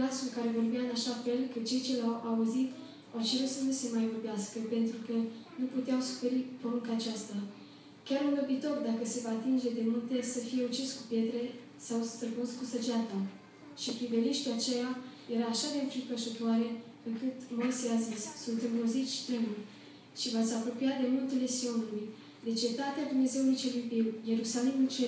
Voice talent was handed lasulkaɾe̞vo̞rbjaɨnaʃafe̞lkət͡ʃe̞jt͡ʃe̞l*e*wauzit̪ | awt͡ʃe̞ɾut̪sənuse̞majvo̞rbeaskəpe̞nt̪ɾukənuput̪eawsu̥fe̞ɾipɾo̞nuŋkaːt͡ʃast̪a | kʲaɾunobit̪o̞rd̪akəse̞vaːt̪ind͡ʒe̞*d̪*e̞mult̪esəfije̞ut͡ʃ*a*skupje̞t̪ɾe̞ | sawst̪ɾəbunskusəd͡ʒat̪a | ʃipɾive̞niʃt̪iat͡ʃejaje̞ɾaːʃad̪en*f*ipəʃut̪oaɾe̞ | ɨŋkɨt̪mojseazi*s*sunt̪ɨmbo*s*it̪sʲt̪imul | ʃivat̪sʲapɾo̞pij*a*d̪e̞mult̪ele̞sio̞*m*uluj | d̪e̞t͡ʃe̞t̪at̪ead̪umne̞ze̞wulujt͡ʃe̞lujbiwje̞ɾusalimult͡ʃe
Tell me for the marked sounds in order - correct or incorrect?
incorrect: a, correct, incorrect: i, correct, correct, incorrect: z, correct, incorrect: n

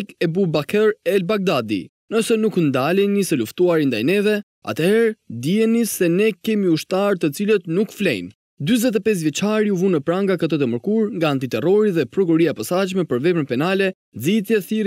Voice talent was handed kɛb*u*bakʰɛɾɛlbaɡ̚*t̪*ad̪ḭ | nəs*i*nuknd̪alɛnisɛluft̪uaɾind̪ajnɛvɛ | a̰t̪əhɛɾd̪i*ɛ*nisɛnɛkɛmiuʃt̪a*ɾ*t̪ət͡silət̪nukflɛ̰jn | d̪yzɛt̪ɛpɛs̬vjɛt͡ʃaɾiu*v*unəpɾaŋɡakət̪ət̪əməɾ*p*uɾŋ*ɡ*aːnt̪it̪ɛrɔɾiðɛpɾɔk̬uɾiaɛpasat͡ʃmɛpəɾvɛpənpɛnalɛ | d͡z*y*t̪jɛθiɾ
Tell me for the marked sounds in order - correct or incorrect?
correct, incorrect: d̪, incorrect: ɛ, correct, correct, correct, incorrect: k, correct, incorrect: i

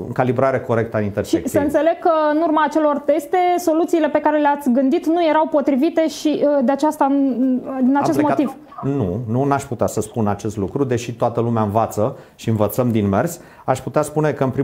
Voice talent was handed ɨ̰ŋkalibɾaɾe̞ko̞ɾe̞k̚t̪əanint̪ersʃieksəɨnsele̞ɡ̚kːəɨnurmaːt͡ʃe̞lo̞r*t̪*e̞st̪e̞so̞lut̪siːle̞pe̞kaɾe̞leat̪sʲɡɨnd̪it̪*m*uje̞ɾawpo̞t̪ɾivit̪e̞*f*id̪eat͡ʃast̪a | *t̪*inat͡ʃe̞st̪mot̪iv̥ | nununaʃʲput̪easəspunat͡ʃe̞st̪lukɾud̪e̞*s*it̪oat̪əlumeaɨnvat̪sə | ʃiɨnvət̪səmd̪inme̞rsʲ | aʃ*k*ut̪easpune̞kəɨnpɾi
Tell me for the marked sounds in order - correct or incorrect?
correct, incorrect: n, incorrect: ʃ, incorrect: d̪, incorrect: ʃ, incorrect: p

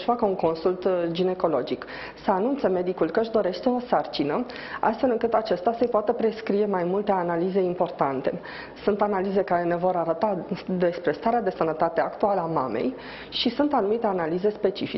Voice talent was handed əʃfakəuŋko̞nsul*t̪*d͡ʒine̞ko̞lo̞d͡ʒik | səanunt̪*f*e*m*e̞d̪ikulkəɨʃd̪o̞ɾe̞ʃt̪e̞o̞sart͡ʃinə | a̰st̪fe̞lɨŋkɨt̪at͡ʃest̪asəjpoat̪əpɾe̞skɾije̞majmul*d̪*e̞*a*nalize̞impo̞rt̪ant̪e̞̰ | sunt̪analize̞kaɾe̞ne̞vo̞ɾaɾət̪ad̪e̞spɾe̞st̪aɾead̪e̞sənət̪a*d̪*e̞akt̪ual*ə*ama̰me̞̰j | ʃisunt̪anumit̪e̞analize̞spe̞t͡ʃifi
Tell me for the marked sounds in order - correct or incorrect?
correct, incorrect: s, correct, incorrect: t̪, correct, incorrect: t̪, correct

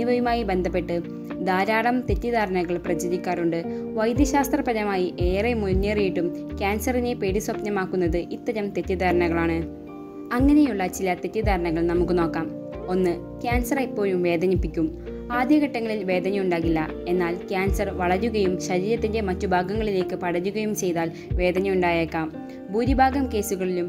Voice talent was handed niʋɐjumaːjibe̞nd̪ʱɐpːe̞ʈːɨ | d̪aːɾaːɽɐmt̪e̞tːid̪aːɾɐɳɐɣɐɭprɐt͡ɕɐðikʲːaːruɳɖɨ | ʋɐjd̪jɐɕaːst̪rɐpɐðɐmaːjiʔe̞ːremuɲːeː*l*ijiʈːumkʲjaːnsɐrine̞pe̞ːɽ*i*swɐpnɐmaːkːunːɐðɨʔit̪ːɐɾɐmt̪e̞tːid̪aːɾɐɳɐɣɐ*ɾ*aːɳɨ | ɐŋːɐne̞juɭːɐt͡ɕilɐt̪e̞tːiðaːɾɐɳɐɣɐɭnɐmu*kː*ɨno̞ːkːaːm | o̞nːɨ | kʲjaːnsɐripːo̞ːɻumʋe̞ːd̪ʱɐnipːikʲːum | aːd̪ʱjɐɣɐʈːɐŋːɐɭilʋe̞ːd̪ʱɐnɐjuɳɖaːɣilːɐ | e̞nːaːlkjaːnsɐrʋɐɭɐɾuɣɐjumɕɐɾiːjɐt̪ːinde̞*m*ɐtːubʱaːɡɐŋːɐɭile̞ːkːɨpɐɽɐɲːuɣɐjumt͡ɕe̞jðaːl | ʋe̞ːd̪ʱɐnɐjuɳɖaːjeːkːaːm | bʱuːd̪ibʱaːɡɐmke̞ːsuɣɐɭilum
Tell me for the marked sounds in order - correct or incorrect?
incorrect: r, correct, incorrect: ɭ, correct, correct

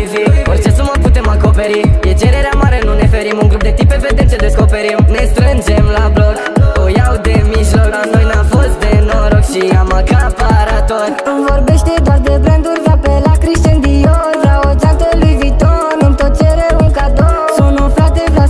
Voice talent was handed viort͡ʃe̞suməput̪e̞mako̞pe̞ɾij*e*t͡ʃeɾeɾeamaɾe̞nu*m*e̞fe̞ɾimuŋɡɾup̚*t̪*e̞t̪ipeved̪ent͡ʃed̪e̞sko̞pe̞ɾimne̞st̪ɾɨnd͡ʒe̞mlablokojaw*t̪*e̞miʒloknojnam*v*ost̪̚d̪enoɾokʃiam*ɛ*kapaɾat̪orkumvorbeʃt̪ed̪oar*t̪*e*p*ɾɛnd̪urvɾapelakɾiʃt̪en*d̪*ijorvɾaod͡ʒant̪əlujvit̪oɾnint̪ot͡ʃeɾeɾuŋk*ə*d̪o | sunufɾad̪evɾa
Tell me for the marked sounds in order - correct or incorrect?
correct, incorrect: n, incorrect: d̪, incorrect: d̪, incorrect: f, incorrect: a, incorrect: d̪, incorrect: b, correct, incorrect: a

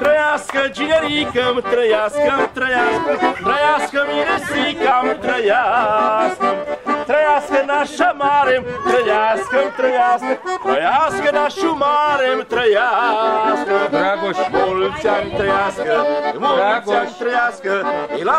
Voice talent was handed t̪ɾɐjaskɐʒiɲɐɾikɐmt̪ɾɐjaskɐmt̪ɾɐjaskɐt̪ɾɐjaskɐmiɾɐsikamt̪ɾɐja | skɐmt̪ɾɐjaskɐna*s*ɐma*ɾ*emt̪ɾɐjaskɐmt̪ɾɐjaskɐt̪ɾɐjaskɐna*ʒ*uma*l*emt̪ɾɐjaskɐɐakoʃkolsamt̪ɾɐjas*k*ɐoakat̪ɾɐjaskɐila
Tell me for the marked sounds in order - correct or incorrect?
incorrect: ʃ, correct, incorrect: ʃ, incorrect: ɾ, correct

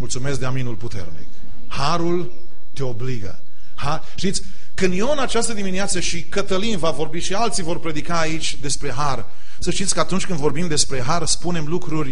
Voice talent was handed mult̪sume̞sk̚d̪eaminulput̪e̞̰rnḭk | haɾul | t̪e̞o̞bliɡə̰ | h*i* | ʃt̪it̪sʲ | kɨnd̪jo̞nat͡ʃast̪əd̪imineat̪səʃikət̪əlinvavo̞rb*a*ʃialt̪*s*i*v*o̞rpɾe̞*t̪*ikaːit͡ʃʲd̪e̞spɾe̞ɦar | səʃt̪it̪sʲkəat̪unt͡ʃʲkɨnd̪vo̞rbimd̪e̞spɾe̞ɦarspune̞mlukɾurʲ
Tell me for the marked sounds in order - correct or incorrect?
incorrect: a, incorrect: i, correct, correct, incorrect: d̪

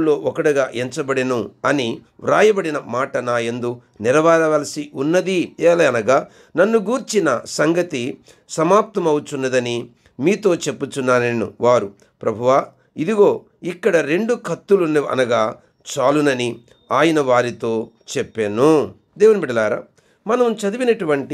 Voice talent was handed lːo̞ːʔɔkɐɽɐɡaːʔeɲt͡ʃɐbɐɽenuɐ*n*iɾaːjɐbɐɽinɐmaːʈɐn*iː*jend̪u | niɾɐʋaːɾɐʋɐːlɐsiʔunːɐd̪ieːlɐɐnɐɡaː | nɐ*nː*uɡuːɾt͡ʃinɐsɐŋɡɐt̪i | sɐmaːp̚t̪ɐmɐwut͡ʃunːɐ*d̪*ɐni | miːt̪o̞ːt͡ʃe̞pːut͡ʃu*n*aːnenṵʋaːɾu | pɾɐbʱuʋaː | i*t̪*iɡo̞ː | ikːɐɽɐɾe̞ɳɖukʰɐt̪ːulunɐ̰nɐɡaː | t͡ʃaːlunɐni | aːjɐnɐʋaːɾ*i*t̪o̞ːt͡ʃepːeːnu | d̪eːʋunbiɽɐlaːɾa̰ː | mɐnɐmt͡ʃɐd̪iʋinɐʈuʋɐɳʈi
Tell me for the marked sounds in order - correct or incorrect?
correct, incorrect: aː, correct, correct, incorrect: nː, incorrect: d̪, correct

